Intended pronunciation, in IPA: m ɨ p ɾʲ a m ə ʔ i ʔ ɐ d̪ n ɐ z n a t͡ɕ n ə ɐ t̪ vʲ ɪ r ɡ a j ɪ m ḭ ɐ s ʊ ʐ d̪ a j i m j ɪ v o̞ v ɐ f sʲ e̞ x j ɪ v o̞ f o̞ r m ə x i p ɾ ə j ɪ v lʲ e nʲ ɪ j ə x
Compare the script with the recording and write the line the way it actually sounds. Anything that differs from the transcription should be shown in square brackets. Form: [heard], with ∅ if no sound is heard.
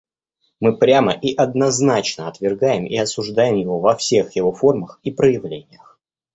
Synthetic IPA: m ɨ p ɾʲ a m ə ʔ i ʔ ɐ d̪ n ɐ z n a t͡ɕ n ə ɐ t̪ vʲ ɪ r ɡ a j ɪ m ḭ ɐ s ʊ ʐ d̪ a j [ɪ] m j ɪ v o̞ v ɐ f sʲ e̞ x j ɪ v o̞ f o̞ r m ə x i p ɾ ə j ɪ v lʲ e nʲ ɪ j ə x